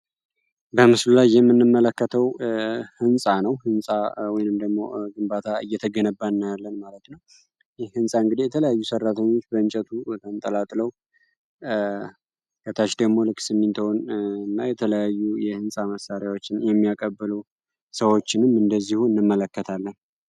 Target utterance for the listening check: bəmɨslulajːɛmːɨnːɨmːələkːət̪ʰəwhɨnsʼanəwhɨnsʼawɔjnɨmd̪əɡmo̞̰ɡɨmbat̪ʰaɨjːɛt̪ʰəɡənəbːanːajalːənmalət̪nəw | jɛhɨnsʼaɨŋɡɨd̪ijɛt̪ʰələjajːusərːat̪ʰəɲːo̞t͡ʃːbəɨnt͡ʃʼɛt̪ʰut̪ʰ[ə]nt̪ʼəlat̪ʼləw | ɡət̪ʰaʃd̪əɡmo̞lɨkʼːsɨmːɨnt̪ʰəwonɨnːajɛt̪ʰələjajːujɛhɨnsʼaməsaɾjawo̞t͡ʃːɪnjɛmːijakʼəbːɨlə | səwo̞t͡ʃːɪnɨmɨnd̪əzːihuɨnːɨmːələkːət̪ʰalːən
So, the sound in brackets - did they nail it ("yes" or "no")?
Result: yes